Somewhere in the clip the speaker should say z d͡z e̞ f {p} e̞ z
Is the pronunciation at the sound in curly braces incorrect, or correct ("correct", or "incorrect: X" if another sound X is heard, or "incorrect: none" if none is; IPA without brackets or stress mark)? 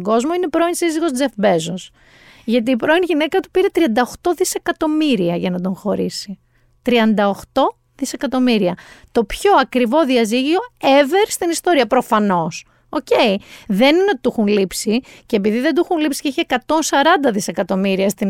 incorrect: b